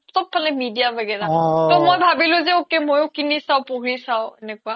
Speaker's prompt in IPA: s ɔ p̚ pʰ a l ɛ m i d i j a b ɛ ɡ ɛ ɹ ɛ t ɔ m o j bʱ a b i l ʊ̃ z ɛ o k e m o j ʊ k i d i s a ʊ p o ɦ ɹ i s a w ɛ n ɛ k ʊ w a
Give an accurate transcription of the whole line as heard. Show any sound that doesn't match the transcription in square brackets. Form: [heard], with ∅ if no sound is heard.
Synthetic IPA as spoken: s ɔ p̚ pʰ a l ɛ m i d i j a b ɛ ɡ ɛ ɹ [a] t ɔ m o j bʱ a b i l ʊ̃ z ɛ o k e m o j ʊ k i [n] i s a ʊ p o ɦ ɹ i s a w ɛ n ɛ k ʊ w a